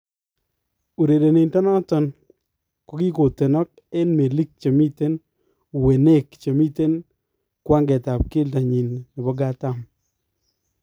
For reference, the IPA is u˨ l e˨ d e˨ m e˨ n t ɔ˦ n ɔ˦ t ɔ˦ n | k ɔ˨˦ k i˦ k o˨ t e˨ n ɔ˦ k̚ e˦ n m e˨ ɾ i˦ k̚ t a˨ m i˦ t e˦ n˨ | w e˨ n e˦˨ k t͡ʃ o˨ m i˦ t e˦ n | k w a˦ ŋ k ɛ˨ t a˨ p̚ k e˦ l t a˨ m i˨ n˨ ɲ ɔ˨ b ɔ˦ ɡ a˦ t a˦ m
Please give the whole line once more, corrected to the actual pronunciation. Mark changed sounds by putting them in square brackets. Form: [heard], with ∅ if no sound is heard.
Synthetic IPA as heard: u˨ [ɾ] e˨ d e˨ [n] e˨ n t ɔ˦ n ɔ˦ t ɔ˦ n | k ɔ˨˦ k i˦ k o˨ t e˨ n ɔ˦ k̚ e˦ n m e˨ [l] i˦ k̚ [t͡ʃ] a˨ m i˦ t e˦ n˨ | w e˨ n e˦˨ k t͡ʃ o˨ m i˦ t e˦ n | k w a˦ ŋ [ɡ] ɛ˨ t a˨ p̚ k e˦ l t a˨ [ɲ] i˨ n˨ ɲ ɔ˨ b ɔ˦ ɡ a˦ t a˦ m